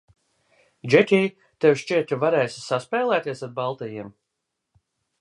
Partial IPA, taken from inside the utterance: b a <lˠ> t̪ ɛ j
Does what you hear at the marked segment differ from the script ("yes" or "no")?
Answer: no